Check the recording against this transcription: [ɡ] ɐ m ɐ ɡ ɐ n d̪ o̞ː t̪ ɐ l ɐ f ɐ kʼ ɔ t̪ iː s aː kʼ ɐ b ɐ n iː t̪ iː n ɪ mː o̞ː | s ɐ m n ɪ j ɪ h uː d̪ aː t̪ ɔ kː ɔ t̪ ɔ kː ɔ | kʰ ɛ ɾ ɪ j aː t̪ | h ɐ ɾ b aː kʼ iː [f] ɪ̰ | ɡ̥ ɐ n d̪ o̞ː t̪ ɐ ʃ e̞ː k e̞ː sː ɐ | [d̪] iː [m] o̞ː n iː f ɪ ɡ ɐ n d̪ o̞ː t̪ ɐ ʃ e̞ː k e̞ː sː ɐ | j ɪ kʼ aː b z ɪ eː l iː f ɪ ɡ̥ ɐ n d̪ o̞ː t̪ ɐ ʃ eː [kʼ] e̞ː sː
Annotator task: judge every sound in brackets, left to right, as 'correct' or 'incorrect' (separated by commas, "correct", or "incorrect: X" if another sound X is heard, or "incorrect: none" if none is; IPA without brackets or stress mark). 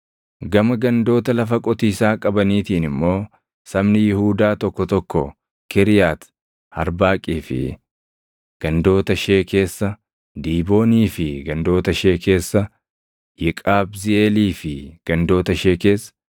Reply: correct, correct, correct, incorrect: b, incorrect: k